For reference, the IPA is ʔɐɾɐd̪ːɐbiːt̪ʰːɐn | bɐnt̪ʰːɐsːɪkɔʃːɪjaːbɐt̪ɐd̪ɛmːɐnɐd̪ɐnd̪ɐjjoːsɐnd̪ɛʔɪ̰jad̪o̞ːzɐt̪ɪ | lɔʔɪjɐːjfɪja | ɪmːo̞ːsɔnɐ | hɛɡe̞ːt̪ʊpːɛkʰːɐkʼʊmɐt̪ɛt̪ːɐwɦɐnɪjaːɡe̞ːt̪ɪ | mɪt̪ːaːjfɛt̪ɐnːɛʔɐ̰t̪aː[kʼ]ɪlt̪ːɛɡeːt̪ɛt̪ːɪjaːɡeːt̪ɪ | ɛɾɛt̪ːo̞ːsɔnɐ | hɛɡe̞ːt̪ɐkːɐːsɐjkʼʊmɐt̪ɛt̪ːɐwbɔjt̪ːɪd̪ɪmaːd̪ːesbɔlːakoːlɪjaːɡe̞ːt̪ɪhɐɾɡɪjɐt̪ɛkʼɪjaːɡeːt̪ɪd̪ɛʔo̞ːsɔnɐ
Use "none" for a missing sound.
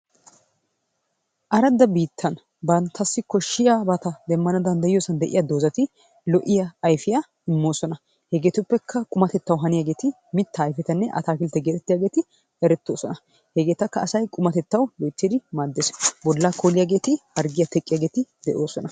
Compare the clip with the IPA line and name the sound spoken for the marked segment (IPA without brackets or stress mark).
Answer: k